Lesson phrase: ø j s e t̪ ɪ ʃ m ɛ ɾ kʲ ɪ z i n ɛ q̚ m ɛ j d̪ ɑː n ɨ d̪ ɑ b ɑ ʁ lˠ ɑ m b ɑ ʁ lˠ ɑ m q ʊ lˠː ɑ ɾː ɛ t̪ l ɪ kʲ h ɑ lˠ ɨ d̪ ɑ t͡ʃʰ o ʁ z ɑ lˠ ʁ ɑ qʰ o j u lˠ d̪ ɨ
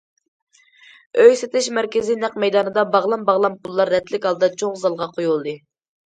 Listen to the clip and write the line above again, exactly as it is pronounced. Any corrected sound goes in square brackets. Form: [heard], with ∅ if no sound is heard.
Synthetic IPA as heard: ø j s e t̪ ɪ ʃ m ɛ ɾ kʲ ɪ z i n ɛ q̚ m ɛ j d̪ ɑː n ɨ d̪ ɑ b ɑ ʁ lˠ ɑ m b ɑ ʁ lˠ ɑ m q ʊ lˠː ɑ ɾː ɛ t̪ l ɪ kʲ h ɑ lˠ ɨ d̪ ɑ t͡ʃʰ o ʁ z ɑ lˠ ʁ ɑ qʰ o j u lˠ d̪ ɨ